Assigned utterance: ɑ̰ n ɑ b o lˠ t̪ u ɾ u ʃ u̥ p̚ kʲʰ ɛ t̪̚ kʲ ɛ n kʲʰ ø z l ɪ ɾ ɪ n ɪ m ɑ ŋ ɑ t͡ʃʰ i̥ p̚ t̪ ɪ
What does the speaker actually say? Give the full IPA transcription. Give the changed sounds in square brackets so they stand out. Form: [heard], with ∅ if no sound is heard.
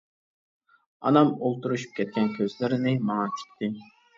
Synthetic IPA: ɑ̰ n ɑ [m] o lˠ t̪ u ɾ u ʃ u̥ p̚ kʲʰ ɛ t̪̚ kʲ ɛ n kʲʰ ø z l ɪ ɾ ɪ n ɪ m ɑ ŋ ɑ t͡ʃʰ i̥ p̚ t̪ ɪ